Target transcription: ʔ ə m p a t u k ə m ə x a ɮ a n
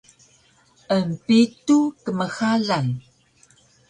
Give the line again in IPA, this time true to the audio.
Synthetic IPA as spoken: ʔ ə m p i t u k ə m ə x a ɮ a n